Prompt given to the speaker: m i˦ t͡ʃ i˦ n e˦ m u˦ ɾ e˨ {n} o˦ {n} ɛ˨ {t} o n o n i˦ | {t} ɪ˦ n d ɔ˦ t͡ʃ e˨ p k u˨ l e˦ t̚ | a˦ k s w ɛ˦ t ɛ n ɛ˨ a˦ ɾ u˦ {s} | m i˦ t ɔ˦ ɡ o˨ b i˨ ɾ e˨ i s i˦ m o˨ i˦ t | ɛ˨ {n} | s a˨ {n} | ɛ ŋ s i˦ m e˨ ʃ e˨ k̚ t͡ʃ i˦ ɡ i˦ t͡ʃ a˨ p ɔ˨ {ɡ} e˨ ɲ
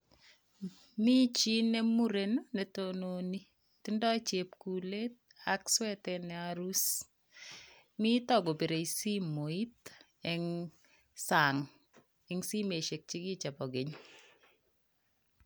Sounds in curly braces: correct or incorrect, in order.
correct, correct, correct, correct, correct, incorrect: ŋ, incorrect: ŋ, correct

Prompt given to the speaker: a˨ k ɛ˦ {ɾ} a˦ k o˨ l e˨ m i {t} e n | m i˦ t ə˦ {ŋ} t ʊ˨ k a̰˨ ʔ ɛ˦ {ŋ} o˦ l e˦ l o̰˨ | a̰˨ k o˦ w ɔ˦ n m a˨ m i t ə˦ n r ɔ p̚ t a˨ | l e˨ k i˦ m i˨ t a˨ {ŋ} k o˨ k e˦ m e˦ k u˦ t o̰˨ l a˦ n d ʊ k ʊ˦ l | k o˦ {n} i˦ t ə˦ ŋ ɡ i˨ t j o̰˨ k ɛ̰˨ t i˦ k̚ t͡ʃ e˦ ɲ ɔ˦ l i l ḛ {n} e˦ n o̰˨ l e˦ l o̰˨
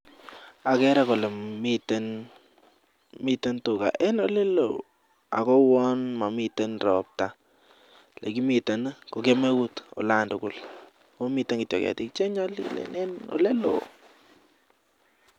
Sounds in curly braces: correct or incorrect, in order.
correct, correct, incorrect: n, incorrect: n, incorrect: n, incorrect: m, correct

